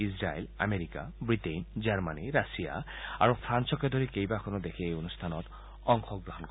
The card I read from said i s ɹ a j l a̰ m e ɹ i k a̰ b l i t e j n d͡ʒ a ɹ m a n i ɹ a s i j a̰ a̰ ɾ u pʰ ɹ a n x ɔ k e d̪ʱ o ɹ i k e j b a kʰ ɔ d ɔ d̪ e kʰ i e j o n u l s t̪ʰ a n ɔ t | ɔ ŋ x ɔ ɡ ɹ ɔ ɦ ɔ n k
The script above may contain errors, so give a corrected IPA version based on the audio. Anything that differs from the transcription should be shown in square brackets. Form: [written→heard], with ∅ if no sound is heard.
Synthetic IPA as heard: i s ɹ a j l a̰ m e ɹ i k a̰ b [l→ɹ] i t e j n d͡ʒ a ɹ m a n i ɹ a s i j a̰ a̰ [ɾ→ɹ] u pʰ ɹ a n [x→s] ɔ k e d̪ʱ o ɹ i k e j b a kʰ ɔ [d→n] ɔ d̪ e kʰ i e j o n u [l→∅] s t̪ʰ a n ɔ t | ɔ ŋ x ɔ ɡ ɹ ɔ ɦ ɔ n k